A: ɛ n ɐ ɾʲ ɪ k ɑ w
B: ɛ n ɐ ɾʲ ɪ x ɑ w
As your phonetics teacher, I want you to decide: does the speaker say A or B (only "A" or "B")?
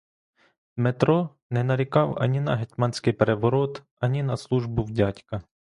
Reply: A